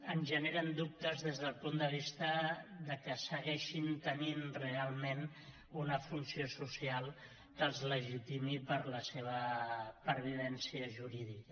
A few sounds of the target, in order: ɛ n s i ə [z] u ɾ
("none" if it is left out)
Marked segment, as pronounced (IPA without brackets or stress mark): ʒ